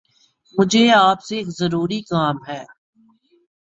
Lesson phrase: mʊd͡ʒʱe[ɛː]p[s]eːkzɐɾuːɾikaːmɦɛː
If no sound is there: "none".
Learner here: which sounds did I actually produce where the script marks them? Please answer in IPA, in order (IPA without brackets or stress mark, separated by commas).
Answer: aː, s